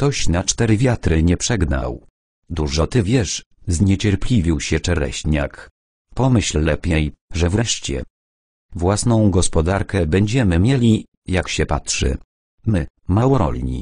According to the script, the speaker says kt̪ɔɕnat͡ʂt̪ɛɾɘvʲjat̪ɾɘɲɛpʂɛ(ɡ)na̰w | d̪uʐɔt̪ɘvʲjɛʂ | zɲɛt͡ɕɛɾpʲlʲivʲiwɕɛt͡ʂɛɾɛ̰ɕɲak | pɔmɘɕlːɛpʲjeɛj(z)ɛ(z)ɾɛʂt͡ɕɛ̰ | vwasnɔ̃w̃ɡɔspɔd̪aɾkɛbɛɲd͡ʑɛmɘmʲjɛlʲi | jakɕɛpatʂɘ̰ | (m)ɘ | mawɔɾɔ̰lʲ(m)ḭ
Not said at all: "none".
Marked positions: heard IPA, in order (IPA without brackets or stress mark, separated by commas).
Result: ɡ, ʐ, v, m, ɲ